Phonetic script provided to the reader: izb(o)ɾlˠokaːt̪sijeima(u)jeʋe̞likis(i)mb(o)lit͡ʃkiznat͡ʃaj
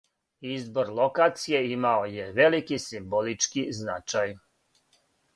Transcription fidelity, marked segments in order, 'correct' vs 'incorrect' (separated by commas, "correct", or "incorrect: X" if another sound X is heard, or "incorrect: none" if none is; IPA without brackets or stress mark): correct, incorrect: o, correct, correct